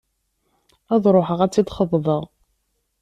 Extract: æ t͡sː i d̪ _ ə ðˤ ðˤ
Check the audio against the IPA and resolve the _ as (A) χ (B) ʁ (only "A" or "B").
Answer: A